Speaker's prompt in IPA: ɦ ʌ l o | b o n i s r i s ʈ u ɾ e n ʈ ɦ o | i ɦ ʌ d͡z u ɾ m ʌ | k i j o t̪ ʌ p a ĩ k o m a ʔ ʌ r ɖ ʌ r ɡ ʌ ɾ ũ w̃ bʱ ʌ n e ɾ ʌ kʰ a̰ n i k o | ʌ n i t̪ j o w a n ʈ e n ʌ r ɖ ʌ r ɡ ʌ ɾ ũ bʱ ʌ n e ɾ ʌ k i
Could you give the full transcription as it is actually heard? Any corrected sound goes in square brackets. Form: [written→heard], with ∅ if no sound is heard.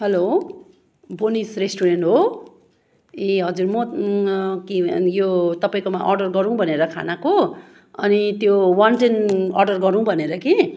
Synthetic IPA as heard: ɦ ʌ l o | b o n i s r [i→e] s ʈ u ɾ e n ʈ ɦ o | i ɦ ʌ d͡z u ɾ m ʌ | k i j o t̪ ʌ p a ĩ k o m a ʔ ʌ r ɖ ʌ r ɡ ʌ ɾ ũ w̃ bʱ ʌ n e ɾ ʌ kʰ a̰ n [i→a] k o | ʌ n i t̪ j o w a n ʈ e n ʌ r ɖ ʌ r ɡ ʌ ɾ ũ bʱ ʌ n e ɾ ʌ k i